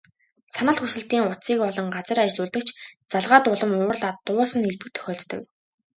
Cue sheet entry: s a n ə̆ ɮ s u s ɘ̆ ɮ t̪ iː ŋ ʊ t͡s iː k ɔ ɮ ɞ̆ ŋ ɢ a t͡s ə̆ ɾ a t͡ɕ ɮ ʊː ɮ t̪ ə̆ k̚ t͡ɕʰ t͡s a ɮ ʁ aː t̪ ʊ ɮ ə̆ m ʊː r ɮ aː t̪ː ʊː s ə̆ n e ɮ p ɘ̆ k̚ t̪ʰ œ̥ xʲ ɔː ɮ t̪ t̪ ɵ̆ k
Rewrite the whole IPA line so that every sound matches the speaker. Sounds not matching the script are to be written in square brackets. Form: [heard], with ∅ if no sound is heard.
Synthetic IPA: s a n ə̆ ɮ [x] u s ɘ̆ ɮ t̪ iː ŋ ʊ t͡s iː k ɔ ɮ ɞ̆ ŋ ɢ a t͡s ə̆ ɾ a t͡ɕ ɮ ʊː ɮ t̪ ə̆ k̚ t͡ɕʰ t͡s a ɮ ʁ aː t̪ ʊ ɮ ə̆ m ʊː r ɮ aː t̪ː ʊː s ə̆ n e ɮ p ɘ̆ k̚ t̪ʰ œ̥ xʲ ɔː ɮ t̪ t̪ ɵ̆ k